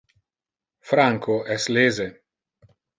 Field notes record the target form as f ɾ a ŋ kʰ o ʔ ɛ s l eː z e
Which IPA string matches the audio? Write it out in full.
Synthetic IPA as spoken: f ɾ a ŋ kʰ o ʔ ɛ s l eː z e

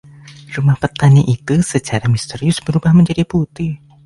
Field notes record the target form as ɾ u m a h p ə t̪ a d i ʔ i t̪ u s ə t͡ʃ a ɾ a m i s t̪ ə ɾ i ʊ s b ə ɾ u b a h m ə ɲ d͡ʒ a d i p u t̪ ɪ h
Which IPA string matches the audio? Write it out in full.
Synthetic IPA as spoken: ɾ u m a h p ə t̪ a n i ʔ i t̪ u s ə t͡ʃ a ɾ a m i s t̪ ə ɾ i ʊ s b ə ɾ u b a h m ə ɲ d͡ʒ a d i p u t̪ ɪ h

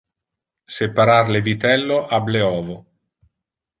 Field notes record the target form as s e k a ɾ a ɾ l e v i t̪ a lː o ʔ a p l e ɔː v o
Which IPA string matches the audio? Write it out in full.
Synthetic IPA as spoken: s e p a ɾ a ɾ l e v i t̪ ɛ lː o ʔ a b l e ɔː v o

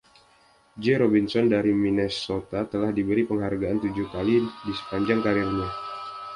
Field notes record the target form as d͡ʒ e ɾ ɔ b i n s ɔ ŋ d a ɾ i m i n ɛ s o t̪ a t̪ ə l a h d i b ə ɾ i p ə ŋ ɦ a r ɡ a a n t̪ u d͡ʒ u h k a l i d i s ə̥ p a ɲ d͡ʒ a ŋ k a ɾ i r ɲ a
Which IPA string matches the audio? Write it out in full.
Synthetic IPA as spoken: d͡ʒ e ɾ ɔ b i n s ɔ n d a ɾ i m i n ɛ s o t̪ a t̪ ə l a h d i b ə ɾ i p ə ŋ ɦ a r ɡ a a n t̪ u d͡ʒ u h k a l i d i s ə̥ p a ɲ d͡ʒ a ŋ k a ɾ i r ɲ a

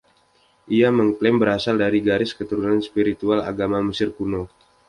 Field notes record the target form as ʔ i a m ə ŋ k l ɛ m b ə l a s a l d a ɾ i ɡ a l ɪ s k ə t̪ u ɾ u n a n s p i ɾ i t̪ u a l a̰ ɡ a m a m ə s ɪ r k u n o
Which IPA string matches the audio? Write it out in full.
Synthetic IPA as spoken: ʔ i a m ə ŋ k l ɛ m b ə ɾ a s a l d a ɾ i ɡ a ɾ ɪ s k ə t̪ u ɾ u n a n s p i ɾ i t̪ u a l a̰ ɡ a m a m ə s ɪ r k u n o

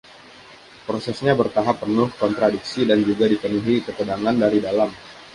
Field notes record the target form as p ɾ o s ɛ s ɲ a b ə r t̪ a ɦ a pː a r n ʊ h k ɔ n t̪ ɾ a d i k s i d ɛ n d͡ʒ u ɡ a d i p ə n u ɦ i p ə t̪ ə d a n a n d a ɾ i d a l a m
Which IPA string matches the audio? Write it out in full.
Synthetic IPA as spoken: p ɾ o s ɛ s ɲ a b ə r t̪ a ɦ a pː ə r n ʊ h k ɔ n t̪ ɾ a d i k s i d a n d͡ʒ u ɡ a d i p ə n u ɦ i k ə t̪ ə d a ŋ a n d a ɾ i d a l a m

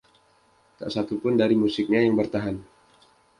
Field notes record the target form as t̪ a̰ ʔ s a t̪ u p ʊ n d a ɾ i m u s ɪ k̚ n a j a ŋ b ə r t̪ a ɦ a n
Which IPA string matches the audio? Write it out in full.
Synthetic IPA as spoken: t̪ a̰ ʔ s a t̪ u p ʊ n d a ɾ i m u s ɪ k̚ ɲ a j a ŋ b ə r t̪ a ɦ a n

